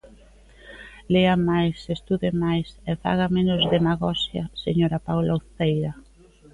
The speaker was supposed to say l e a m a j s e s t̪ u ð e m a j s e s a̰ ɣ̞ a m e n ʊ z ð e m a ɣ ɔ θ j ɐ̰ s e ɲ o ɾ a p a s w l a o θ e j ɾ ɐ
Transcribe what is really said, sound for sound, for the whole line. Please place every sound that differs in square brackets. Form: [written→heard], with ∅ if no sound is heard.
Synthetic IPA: l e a m a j s e s t̪ u ð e m a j s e [s→f] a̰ ɣ̞ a m e n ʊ z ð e m a ɣ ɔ [θ→s] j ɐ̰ s e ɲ o ɾ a p a [s→∅] w l a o θ e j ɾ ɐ